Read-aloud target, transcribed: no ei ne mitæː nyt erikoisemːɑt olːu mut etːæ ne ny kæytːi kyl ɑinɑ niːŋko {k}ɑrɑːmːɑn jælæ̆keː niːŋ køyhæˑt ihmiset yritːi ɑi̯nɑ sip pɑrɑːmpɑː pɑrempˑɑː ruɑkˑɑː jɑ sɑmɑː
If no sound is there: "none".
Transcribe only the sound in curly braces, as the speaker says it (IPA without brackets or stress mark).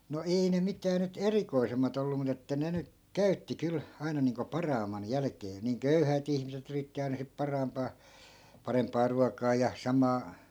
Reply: p